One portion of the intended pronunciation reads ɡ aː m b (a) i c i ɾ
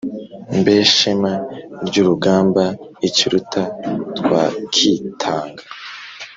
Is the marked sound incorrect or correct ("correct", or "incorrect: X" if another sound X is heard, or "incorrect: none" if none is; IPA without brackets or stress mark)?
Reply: correct